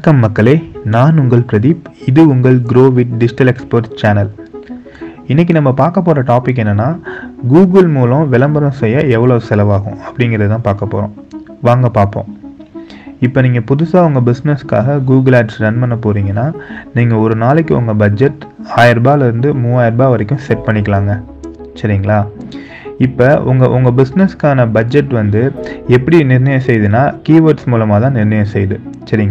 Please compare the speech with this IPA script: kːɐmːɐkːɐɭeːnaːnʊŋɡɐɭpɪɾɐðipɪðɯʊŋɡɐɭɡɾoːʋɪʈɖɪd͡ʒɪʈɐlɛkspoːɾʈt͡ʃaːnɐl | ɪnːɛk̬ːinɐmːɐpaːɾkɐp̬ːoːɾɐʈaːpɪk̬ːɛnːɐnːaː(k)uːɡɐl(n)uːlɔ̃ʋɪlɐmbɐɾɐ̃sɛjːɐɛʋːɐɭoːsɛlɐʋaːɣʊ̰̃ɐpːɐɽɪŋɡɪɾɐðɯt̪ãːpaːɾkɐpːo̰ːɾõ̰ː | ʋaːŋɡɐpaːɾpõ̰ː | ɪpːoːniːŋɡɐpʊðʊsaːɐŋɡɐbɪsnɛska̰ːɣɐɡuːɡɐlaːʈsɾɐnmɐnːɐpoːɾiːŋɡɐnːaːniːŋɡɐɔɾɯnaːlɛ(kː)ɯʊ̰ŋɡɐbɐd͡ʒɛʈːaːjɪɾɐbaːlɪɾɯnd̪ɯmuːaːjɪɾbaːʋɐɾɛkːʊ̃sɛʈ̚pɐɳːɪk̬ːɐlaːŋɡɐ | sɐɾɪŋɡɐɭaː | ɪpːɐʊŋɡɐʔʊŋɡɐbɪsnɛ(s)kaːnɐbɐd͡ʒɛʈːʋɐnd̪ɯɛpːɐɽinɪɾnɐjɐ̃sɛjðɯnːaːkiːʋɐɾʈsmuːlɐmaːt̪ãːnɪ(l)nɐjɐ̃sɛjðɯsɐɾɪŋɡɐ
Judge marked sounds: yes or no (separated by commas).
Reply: no, no, yes, yes, no